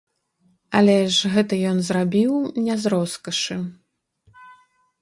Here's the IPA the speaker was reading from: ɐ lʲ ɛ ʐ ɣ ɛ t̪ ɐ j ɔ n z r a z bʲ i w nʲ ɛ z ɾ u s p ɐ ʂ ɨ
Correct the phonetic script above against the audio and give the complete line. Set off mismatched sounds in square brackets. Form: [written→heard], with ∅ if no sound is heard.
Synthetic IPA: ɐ lʲ ɛ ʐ ɣ ɛ t̪ ɐ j ɔ n z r a [z→∅] bʲ i w nʲ ɛ z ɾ [u→ɔ] s [p→k] ɐ ʂ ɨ